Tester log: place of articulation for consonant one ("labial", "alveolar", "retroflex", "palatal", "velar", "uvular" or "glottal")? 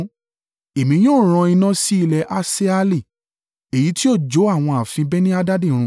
labial